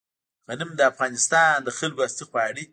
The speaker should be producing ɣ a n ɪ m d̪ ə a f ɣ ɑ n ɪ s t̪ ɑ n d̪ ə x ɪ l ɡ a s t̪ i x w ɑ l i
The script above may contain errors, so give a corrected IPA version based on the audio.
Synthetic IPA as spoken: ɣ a n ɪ m d̪ ə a f ɣ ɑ n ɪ s t̪ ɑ n d̪ ə x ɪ l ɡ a s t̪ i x w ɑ ɽ i